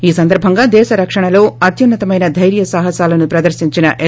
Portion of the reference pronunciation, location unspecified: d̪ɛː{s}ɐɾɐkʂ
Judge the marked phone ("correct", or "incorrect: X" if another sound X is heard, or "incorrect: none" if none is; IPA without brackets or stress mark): incorrect: ʃ